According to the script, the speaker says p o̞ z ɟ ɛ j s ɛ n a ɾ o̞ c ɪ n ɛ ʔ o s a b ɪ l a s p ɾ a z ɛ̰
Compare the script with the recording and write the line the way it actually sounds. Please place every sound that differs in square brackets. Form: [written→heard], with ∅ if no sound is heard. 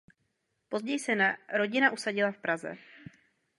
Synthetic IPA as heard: p o̞ z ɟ ɛ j s ɛ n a ɾ o̞ [c→ɟ] ɪ n [ɛ→a] ʔ [o→u] s a [b→ɟ] ɪ l a [s→f] p ɾ a z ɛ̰